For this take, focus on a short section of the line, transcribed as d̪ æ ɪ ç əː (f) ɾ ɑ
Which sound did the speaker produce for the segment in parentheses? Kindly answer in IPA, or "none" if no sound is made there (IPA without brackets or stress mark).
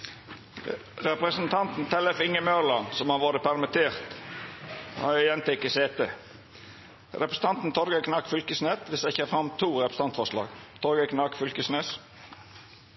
f